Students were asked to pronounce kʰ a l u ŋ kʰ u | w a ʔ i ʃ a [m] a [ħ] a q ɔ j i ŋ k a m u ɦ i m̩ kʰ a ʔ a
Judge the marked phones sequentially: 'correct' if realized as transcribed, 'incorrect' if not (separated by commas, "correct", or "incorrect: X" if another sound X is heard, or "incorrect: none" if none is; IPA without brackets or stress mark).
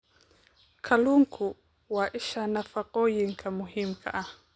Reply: incorrect: n, incorrect: f